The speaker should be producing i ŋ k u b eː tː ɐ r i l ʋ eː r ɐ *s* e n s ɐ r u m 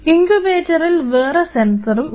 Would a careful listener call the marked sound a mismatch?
no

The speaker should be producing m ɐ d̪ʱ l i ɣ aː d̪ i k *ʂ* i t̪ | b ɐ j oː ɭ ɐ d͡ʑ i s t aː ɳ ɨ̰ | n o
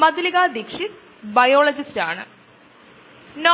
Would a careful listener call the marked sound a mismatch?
no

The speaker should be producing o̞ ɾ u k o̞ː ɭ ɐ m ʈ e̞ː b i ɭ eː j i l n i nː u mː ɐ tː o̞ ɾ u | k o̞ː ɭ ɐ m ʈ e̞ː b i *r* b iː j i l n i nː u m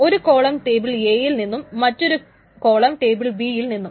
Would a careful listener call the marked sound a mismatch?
yes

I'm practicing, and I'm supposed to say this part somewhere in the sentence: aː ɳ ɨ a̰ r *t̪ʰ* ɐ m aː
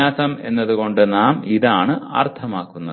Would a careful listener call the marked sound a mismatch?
no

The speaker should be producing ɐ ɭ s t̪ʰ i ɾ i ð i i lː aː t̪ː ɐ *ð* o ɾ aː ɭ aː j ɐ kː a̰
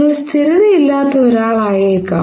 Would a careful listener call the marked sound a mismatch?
yes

